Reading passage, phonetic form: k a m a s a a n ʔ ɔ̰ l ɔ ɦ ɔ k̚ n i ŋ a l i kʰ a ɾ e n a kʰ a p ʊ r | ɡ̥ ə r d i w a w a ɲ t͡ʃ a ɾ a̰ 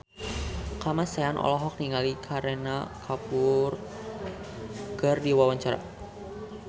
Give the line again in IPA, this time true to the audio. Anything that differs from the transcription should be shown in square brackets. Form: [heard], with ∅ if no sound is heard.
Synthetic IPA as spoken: k a m a s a a n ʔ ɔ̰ l ɔ ɦ ɔ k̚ n i ŋ a l i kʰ a ɾ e n a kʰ a p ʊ r | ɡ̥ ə r d i w a w a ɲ t͡ʃ a ɾ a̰